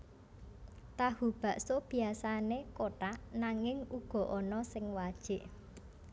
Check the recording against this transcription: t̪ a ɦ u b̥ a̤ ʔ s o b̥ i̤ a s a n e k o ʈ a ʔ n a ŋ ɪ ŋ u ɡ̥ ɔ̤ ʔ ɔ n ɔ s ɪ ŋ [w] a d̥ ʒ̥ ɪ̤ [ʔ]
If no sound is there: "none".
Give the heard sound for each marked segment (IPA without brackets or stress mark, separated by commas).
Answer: w, ʔ